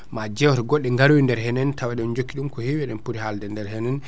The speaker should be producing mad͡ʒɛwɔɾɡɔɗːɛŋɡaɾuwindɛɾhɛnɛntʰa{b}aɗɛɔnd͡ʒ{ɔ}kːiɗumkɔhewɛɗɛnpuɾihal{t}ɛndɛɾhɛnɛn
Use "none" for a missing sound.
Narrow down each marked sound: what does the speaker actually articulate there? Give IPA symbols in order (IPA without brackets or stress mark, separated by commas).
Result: w, o, d